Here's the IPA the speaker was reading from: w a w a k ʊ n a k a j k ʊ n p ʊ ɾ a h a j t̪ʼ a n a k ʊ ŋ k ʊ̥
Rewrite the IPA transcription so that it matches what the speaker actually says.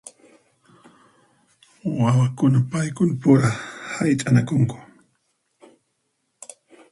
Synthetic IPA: w a w a k ʊ n a p a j k ʊ n p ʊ ɾ a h a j t̪ʼ a n a k ʊ ŋ k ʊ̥